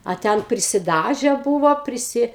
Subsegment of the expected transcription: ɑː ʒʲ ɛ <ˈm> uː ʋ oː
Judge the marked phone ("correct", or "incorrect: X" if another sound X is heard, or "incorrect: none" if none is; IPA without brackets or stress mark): incorrect: b